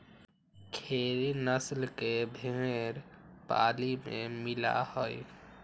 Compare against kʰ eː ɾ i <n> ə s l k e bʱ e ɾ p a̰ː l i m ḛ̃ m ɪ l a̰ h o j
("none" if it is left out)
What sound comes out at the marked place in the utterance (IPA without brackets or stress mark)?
n